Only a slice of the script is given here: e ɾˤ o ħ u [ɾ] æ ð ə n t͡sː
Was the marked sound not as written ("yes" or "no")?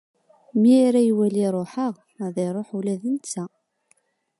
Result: yes